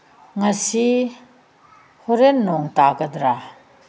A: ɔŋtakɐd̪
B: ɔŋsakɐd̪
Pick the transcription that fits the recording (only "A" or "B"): A